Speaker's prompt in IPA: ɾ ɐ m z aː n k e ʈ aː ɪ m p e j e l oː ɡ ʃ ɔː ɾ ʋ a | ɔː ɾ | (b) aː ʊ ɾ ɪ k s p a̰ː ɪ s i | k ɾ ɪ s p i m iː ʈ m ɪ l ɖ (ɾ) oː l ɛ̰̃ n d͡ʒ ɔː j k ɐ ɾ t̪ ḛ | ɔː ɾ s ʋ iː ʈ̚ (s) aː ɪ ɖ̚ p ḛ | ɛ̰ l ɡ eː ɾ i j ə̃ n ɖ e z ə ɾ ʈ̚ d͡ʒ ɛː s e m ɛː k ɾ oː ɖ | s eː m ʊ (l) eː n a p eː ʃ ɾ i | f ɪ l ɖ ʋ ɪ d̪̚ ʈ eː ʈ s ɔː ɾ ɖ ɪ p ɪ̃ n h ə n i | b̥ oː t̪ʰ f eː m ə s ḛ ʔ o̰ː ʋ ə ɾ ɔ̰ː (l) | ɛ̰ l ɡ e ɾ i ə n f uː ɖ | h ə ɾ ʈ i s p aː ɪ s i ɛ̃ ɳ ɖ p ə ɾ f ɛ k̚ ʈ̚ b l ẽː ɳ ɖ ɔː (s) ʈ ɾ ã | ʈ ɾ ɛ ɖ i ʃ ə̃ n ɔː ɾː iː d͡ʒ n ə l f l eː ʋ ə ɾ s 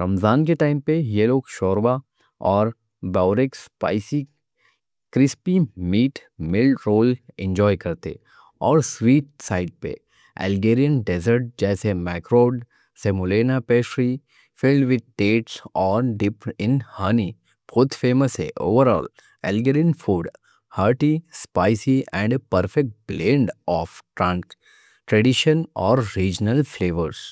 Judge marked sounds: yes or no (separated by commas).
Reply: yes, yes, yes, yes, yes, no